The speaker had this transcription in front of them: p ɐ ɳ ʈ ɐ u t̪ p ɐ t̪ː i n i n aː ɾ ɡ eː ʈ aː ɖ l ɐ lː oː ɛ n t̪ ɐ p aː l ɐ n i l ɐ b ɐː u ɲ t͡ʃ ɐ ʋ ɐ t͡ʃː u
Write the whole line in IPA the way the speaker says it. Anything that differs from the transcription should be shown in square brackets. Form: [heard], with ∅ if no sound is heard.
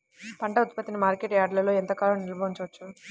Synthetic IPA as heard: p ɐ ɳ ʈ ɐ u t̪ p ɐ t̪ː i n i [m] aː ɾ [k] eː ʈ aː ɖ l ɐ [l] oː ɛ n t̪ ɐ [k] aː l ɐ n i l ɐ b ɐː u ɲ t͡ʃ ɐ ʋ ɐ t͡ʃː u